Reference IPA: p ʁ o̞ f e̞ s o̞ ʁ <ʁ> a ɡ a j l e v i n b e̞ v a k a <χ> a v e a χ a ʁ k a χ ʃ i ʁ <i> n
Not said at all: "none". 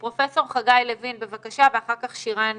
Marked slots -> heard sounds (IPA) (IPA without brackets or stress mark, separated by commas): χ, ʃ, a